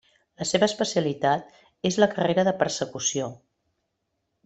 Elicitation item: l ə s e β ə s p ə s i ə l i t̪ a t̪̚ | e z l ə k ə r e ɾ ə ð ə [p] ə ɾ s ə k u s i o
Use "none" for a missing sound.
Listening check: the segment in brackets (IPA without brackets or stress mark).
p